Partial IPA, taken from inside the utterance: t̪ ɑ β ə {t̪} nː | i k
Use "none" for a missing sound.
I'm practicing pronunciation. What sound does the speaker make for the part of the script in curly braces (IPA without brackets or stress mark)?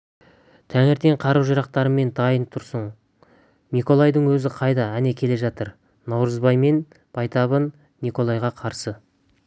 none